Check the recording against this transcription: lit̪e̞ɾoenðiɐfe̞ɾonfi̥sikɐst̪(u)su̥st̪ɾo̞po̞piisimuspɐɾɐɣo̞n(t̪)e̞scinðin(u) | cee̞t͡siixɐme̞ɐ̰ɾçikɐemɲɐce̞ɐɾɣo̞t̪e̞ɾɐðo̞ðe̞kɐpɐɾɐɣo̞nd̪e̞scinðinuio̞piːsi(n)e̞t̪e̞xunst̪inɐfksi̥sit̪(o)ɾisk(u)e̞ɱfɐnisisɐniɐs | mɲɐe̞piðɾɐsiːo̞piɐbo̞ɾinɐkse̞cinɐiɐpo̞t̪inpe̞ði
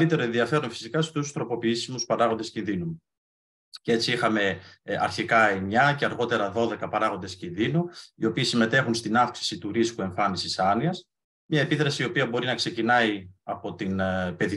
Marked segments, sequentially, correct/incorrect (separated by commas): correct, incorrect, correct, incorrect, incorrect, correct